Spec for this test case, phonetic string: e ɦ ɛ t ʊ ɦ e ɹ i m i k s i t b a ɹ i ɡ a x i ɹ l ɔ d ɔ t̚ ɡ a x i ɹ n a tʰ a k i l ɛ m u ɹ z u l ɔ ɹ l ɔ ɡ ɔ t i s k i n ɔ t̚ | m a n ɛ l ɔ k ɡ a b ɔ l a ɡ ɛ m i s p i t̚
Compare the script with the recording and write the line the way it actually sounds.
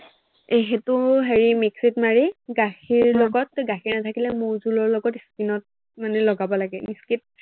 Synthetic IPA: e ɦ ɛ t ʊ ɦ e ɹ i m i k s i t m a ɹ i ɡ a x i ɹ l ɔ ɡ ɔ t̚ ɡ a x i ɹ n a tʰ a k i l ɛ m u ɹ z u l ɔ ɹ l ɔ ɡ ɔ t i s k i n ɔ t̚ | m a n ɛ l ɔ ɡ a b ɔ l a ɡ ɛ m i s k i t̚